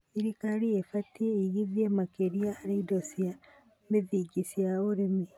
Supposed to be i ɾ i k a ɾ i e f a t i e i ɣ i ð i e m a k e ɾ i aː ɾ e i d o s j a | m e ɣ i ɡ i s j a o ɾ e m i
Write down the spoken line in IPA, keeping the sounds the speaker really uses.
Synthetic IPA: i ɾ i k a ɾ i e f a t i e i ɣ i ð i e m a k e ɾ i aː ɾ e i d o s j a | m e ð i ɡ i s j a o ɾ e m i

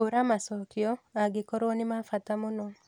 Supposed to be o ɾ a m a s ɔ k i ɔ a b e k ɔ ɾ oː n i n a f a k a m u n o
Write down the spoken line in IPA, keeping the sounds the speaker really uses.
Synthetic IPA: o ɾ a m a s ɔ k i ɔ a ɡ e k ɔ ɾ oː n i m a f a t a m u n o

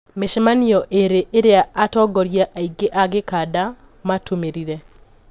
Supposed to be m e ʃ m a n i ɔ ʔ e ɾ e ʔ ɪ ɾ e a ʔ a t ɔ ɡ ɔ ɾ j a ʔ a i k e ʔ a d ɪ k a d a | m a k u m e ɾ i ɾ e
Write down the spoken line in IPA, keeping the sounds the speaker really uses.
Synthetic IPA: m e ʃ m a n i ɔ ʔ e ɾ e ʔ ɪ ɾ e a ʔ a t ɔ ɡ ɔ ɾ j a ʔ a i ɡ e ʔ a ɡ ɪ k a d a | m a t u m e ɾ i ɾ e

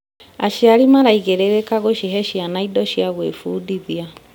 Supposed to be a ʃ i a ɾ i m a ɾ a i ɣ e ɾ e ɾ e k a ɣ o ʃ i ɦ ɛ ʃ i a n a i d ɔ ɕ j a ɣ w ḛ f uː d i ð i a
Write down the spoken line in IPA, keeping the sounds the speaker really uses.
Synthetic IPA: a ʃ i a ɾ i m a ɾ a i ɣ e ɾ e ɾ e k a ɣ o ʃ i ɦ ɛ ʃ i a n a i d ɔ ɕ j a ɣ w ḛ f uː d i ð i a

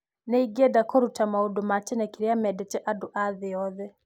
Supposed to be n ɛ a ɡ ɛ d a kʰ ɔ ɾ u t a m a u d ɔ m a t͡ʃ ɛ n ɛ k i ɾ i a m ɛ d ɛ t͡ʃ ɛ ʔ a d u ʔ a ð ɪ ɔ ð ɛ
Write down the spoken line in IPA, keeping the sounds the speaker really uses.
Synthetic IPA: n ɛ i ɡ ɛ d a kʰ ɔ ɾ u t a m a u d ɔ m a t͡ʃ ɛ n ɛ k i ɾ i a m ɛ d ɛ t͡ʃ ɛ ʔ a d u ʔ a ð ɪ ɔ ð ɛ

